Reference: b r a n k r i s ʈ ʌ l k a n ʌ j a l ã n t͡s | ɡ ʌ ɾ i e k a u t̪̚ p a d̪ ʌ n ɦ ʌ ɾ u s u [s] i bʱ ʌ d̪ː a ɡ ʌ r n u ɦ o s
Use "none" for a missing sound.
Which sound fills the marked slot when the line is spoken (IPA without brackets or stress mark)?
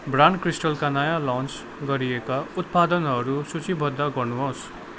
t͡s